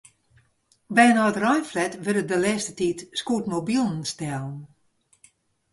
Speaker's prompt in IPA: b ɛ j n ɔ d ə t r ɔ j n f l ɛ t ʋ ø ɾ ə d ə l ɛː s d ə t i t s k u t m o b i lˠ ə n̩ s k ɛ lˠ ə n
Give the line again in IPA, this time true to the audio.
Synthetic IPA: b ɛ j n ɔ ə t r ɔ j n f l ɛ t ʋ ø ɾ ə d ə l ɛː s t ə t i t s k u t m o b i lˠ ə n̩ s t ɛ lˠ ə n